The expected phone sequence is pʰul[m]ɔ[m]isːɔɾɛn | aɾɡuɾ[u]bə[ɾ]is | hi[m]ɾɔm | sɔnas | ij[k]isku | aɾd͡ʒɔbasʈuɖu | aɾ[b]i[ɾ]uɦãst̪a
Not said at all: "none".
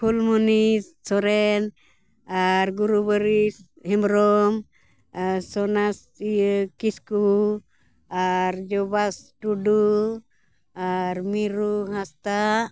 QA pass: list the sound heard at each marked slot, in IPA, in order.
m, n, u, ɾ, m, k, m, ɾ

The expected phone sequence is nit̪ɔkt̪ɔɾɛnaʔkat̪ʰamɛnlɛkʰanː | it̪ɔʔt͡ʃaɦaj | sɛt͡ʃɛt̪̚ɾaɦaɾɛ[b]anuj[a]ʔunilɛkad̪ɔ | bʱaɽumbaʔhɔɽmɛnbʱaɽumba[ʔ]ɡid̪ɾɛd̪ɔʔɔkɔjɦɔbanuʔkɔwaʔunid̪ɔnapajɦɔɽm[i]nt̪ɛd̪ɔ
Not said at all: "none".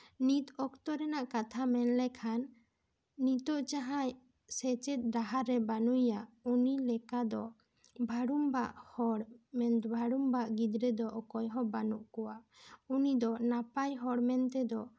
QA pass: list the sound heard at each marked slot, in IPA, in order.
b, a, ʔ, ɛ

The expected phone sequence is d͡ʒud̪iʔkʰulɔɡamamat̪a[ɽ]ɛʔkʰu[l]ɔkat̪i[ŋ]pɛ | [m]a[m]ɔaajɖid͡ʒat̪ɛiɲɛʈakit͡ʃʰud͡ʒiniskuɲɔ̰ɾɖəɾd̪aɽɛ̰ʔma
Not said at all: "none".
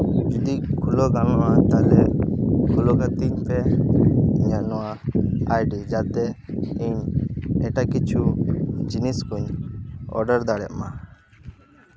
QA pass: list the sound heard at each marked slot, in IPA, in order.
l, l, ɲ, ɲ, n

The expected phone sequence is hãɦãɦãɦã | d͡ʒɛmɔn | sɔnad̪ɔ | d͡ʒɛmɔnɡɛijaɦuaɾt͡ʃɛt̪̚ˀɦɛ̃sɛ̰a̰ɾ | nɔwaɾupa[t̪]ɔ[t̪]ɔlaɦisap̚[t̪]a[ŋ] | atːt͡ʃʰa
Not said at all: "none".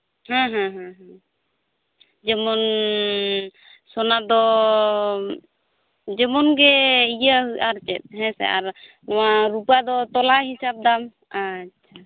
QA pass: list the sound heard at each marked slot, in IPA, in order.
d̪, t̪, d̪, m

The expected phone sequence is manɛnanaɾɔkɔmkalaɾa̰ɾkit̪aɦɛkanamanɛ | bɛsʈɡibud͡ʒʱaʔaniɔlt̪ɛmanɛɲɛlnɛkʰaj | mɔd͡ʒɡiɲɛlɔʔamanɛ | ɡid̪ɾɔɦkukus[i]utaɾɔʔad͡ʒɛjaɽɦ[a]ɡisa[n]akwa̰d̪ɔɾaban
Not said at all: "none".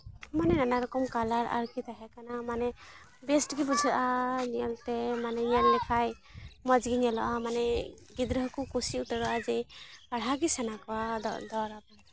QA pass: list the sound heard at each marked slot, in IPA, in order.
i, a, n

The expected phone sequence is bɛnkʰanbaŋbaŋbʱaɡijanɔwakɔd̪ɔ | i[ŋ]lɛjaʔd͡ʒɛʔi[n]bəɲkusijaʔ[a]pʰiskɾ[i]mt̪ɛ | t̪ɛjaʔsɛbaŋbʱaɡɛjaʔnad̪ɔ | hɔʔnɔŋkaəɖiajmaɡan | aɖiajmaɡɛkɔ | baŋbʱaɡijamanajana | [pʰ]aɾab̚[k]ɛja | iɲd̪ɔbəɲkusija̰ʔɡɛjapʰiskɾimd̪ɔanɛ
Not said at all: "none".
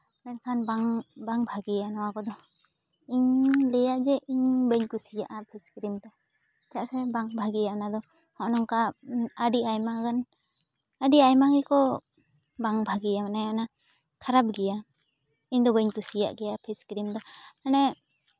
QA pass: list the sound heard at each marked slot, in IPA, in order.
ɲ, ɲ, a, i, kʰ, ɡ

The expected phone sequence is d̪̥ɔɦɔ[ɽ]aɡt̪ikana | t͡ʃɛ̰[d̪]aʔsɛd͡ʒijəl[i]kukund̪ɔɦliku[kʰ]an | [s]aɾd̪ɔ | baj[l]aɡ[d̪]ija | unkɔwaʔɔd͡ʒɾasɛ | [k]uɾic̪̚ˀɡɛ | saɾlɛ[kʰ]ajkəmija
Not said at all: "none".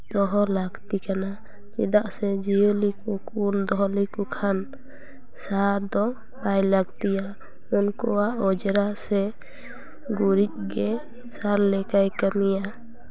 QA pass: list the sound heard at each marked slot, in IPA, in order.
l, d̪, i, kʰ, s, l, t̪, ɡ, k

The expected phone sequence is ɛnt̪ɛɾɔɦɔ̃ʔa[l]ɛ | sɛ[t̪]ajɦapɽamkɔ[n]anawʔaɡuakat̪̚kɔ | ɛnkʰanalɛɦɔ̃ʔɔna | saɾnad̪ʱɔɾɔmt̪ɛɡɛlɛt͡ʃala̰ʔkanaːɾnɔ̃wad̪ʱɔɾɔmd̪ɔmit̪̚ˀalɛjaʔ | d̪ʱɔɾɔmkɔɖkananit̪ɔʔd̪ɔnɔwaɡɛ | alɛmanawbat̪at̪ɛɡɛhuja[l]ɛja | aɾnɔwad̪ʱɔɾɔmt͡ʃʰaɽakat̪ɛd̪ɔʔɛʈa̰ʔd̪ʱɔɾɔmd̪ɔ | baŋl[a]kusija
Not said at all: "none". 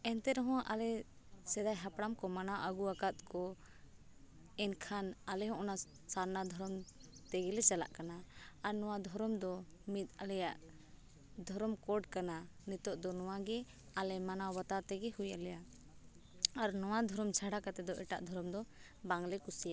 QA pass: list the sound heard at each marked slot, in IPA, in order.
l, d̪, m, l, ɛ

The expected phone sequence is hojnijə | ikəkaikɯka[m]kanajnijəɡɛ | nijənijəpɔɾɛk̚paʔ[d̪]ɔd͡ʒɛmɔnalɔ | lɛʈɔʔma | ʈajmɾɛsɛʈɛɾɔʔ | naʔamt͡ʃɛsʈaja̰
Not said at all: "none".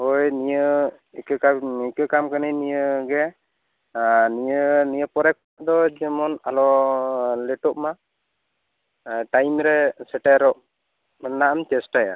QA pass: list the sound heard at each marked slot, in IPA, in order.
m, d̪

